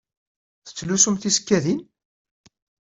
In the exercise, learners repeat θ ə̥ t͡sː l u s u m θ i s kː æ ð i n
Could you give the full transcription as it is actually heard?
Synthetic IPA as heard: θ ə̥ t͡sː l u s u m θ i s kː æ ð i n